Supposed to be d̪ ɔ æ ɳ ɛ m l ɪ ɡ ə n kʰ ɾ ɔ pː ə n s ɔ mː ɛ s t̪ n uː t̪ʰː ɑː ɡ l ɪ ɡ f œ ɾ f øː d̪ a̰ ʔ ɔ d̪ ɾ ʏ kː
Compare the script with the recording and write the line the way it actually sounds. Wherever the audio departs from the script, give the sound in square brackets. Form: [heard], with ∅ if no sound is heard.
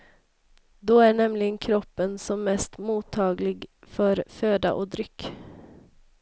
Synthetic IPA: d̪ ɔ æ ɳ ɛ m l ɪ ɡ ə n kʰ ɾ ɔ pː ə n s ɔ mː ɛ s t̪ [m] uː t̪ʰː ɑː ɡ l ɪ ɡ f œ ɾ f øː d̪ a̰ ʔ ɔ d̪ ɾ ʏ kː